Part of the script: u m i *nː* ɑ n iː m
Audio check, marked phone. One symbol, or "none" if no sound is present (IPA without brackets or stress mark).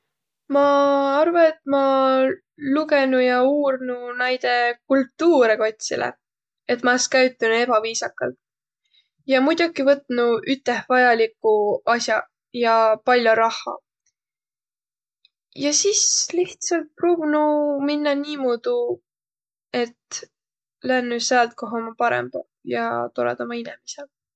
nː